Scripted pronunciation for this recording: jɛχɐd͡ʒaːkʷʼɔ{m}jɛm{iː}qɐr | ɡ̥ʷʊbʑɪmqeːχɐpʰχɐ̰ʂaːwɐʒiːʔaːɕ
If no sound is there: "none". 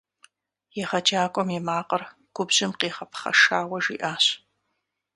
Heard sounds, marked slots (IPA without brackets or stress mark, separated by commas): m, aː